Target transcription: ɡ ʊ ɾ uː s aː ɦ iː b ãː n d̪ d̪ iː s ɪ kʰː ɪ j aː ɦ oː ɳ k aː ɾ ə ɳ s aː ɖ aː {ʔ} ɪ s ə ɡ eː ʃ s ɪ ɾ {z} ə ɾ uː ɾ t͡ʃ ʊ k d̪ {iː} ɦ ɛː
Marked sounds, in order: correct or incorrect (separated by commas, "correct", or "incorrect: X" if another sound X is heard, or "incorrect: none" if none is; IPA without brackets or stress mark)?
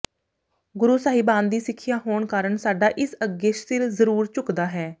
correct, correct, incorrect: aː